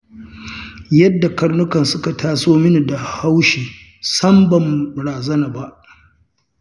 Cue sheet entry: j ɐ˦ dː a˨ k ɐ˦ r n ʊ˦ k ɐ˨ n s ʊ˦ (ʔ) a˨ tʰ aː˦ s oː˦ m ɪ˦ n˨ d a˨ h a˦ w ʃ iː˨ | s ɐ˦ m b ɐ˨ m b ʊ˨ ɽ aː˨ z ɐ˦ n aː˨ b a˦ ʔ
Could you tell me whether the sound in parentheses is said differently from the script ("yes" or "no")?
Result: yes